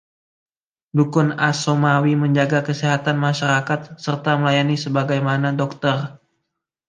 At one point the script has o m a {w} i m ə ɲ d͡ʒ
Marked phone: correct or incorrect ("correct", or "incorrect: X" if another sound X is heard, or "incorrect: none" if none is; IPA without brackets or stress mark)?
correct